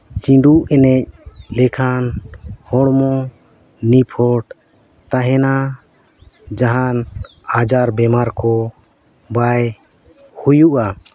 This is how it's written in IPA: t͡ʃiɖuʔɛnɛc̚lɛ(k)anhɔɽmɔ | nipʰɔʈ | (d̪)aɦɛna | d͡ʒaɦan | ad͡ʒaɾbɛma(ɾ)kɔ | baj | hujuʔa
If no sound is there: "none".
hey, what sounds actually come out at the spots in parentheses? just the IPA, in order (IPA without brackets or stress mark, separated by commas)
kʰ, t̪, ɾ